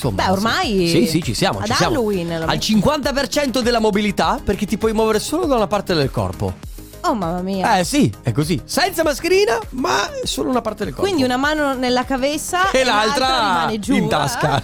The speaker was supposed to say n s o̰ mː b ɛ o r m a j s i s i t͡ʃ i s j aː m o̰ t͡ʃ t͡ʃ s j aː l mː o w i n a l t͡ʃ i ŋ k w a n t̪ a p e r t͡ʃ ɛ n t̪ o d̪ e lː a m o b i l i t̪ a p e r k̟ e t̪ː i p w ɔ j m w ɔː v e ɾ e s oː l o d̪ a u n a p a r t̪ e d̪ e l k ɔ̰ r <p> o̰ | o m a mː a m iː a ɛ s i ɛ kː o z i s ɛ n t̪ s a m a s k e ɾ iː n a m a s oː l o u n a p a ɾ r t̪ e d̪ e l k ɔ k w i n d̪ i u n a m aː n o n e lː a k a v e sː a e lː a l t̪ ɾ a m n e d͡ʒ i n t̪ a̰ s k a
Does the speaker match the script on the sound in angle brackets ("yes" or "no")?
yes